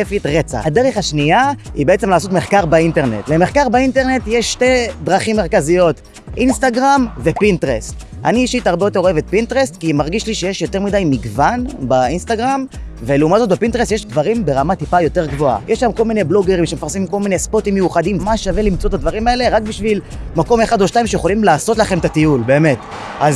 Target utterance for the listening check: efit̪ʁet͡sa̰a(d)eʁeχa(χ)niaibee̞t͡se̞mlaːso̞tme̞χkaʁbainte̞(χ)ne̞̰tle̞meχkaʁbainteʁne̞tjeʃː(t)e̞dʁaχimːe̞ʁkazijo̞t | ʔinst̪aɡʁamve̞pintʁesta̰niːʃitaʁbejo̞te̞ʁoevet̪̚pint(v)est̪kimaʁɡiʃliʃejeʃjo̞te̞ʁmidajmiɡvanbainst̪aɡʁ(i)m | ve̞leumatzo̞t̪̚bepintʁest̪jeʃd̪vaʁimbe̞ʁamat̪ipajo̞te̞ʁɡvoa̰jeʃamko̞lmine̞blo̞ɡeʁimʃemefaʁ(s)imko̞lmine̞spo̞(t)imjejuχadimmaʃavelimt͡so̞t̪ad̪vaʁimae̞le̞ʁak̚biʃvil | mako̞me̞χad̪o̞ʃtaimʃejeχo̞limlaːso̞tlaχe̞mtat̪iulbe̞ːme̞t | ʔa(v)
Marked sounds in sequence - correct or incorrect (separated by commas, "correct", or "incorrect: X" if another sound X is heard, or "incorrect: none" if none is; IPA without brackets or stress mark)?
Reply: correct, incorrect: ʃ, incorrect: ʁ, correct, incorrect: ʁ, incorrect: a, correct, correct, incorrect: z